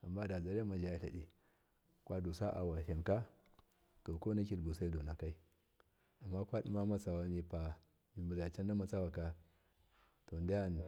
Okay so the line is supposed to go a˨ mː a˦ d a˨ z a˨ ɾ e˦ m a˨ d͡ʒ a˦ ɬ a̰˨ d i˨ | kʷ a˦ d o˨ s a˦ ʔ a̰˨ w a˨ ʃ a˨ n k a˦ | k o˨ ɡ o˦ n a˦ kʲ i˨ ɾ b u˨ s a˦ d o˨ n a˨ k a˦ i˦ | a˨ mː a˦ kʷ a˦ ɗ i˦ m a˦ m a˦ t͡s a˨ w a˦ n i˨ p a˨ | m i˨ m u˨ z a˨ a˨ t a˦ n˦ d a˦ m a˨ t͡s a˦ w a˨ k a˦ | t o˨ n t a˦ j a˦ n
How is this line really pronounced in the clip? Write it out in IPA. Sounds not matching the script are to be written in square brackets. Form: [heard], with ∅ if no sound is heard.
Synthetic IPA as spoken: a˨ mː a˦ d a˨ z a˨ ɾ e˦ m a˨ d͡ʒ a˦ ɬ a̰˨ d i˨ | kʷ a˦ d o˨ s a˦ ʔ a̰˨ w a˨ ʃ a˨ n k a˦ | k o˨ [k] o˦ n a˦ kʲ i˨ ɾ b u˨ s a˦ d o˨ n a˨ k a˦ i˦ | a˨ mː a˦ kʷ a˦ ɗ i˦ m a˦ m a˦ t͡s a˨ w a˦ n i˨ p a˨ | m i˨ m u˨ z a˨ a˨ [t͡ʃ] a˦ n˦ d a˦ m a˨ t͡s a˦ w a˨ k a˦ | t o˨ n [d] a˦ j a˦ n